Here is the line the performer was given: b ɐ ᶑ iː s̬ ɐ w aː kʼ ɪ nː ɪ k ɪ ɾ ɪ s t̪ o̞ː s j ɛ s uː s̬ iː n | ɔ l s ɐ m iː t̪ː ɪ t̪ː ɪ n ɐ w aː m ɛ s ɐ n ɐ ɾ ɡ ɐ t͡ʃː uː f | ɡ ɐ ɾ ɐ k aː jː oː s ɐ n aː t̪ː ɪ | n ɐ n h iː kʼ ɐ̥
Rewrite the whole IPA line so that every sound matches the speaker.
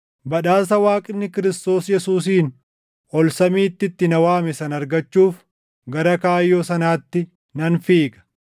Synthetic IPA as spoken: b ɐ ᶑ aː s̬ ɐ w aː kʼ ɪ nː ɪ k ɪ ɾ ɪ s t̪ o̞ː s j ɛ s uː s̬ iː n | ɔ l s ɐ m iː t̪ː ɪ t̪ː ɪ n ɐ w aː m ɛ s ɐ n ɐ ɾ ɡ ɐ t͡ʃː uː f | ɡ ɐ ɾ ɐ k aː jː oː s ɐ n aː t̪ː ɪ | n ɐ n f iː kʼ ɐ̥